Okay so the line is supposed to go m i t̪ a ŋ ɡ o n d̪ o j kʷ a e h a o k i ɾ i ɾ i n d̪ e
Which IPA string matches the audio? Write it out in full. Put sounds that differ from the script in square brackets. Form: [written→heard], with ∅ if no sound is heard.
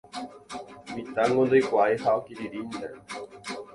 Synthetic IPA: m i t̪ a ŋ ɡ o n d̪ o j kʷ a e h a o k i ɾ i ɾ i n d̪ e